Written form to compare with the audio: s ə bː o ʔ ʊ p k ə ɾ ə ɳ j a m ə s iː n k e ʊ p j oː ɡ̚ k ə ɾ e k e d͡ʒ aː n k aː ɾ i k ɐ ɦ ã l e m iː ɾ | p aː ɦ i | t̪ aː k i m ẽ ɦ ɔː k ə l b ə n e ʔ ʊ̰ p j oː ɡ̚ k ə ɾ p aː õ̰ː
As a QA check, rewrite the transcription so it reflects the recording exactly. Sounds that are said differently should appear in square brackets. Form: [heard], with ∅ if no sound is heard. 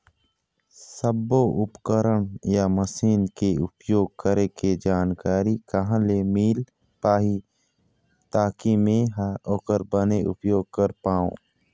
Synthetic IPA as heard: s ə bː o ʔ ʊ p k ə ɾ ə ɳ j a m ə s iː n k e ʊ p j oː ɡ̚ k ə ɾ e k e d͡ʒ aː n k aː ɾ i k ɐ ɦ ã l e m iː [l] | p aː ɦ i | t̪ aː k i m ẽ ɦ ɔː k ə [ɾ] b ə n e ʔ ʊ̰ p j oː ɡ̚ k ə ɾ p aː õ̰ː